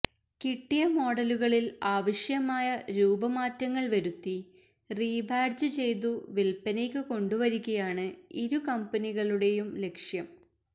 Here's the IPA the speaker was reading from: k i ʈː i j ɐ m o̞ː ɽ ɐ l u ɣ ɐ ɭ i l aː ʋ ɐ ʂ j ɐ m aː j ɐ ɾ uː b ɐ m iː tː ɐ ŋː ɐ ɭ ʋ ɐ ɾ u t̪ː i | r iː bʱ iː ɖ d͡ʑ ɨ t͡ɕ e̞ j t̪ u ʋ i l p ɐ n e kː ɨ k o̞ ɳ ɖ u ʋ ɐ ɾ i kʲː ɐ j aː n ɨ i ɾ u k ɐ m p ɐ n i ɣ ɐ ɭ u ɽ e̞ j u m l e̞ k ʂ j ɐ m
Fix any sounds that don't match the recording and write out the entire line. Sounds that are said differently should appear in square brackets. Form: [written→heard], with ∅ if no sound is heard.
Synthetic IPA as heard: k i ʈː i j ɐ m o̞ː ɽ ɐ l u ɣ ɐ ɭ i l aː ʋ ɐ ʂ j ɐ m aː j ɐ ɾ uː b ɐ m [iː→aː] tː ɐ ŋː ɐ ɭ ʋ ɐ ɾ u t̪ː i | r iː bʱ [iː→aː] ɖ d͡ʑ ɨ t͡ɕ e̞ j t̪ u ʋ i l p ɐ n e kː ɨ k o̞ ɳ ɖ u ʋ ɐ ɾ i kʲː ɐ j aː [n→ɳ] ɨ i ɾ u k ɐ m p ɐ n i ɣ ɐ ɭ u ɽ e̞ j u m l e̞ k ʂ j ɐ m